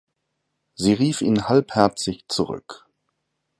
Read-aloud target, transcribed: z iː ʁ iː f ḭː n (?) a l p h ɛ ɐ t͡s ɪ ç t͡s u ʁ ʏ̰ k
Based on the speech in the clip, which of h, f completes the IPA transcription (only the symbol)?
h